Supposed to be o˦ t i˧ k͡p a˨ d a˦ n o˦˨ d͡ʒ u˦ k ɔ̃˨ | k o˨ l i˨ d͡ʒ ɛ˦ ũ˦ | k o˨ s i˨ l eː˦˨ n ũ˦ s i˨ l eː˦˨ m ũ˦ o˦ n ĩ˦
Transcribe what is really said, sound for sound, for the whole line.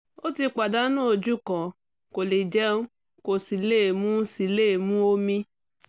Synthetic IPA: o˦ t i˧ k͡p a˨ d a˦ n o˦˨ d͡ʒ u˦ k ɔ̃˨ | k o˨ l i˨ d͡ʒ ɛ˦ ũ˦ | k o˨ s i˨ l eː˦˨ m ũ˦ s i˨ l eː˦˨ m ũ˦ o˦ m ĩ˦